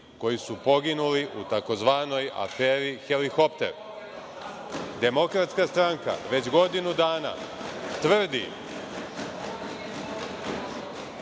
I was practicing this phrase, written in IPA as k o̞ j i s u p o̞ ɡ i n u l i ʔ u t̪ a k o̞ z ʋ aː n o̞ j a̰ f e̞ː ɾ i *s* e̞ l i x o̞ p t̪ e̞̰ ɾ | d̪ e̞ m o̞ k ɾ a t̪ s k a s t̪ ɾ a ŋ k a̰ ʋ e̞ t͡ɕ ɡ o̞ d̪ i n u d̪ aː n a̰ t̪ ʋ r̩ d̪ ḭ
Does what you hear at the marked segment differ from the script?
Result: yes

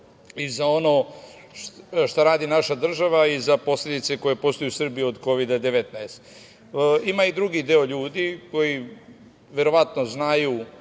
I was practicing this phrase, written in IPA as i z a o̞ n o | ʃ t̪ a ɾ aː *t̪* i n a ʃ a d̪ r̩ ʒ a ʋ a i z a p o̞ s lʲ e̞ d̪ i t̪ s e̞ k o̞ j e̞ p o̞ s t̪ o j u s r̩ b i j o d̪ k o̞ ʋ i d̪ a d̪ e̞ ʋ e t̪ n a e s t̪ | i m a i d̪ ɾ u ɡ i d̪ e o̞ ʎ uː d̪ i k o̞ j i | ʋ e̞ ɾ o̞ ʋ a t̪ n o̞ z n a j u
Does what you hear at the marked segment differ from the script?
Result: yes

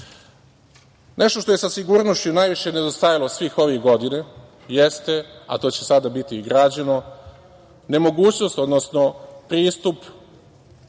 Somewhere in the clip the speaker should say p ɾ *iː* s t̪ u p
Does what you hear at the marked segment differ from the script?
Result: no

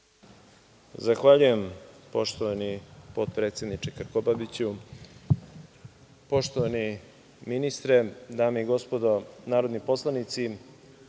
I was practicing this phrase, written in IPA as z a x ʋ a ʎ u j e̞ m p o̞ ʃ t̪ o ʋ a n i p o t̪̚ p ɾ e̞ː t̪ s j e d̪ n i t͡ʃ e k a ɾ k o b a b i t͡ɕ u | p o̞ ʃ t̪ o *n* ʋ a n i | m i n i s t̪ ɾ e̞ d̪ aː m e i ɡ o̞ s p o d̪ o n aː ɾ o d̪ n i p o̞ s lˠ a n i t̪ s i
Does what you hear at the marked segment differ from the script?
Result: yes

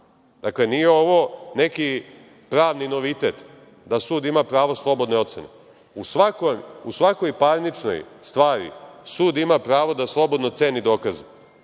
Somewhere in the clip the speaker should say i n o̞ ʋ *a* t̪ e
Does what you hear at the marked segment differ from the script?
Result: yes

